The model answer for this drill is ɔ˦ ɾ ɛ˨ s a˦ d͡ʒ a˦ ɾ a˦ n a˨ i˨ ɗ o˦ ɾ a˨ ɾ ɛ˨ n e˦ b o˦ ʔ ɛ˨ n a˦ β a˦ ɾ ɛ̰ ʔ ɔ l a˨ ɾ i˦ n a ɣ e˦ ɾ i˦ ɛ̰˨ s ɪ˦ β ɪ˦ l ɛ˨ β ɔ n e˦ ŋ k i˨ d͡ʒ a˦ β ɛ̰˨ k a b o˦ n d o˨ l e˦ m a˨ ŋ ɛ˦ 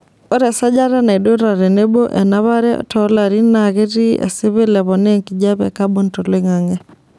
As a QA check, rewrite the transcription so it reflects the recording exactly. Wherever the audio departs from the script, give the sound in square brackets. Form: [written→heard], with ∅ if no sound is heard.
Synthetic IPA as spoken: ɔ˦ ɾ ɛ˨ s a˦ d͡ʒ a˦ ɾ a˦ n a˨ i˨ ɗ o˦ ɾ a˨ ɾ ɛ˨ n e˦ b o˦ ʔ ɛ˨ n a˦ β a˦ ɾ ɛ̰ [ʔ→t] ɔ l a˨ ɾ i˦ n a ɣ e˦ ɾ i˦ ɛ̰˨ s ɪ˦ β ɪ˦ l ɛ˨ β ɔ n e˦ ŋ k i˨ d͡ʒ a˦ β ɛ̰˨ k a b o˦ n [d→t] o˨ l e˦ [m→ŋ] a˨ ŋ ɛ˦